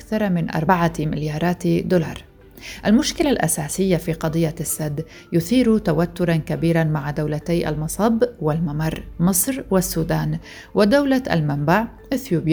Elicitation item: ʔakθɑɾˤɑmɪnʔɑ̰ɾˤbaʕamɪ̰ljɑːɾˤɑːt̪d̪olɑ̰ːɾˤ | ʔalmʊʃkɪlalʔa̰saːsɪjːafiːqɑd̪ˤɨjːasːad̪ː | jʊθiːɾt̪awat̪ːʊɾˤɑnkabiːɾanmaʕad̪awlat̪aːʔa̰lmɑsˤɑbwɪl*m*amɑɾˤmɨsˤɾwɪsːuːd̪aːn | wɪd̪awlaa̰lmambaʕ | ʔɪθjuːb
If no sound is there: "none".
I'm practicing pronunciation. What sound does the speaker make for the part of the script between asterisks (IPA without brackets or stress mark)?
m